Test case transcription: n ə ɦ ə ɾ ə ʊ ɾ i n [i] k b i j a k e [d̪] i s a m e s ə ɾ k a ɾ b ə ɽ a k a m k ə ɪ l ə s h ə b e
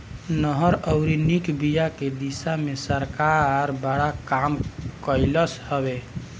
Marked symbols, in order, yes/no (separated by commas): yes, yes